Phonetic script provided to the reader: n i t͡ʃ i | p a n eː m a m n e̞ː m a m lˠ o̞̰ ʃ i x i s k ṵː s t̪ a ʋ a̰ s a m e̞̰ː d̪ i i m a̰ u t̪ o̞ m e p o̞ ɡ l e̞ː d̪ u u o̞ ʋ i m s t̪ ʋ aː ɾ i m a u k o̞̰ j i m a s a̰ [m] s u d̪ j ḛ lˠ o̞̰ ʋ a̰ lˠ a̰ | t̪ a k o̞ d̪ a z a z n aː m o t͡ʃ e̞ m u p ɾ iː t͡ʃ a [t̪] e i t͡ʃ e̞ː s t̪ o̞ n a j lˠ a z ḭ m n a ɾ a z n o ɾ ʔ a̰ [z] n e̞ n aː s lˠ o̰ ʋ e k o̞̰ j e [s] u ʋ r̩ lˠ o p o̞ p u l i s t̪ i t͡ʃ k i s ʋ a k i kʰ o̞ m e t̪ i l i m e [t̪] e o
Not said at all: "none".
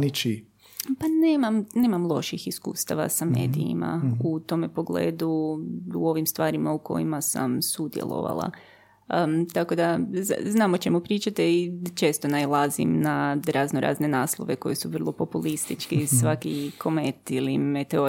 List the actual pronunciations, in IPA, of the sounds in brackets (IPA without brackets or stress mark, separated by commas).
m, t̪, z, s, t̪